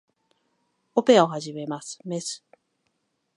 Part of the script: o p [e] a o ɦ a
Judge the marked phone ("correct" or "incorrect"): correct